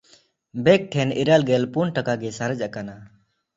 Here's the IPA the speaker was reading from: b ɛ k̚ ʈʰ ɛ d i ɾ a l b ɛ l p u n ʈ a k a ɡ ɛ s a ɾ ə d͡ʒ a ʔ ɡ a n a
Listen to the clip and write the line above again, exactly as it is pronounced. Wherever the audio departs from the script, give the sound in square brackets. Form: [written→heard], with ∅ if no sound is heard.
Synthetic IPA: b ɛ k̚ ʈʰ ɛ [d→n] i ɾ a l [b→ɡ] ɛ l p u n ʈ a k a ɡ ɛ s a ɾ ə d͡ʒ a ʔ [ɡ→k] a n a